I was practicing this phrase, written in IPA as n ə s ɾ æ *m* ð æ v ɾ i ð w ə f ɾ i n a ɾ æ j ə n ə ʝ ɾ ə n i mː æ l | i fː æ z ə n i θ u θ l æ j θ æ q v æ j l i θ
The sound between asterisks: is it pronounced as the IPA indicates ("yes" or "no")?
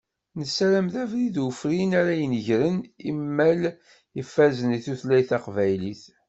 yes